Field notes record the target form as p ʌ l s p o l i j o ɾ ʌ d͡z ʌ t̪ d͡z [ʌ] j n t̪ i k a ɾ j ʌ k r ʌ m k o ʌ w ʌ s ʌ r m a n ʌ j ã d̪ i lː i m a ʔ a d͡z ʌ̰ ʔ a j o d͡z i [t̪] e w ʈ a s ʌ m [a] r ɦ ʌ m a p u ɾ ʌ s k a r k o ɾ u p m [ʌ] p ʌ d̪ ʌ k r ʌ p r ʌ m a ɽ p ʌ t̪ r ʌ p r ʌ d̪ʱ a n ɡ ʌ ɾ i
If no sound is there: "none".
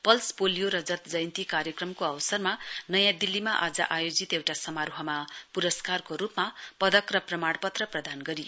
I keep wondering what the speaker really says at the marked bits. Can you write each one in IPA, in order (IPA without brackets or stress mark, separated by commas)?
ʌ, t̪, a, a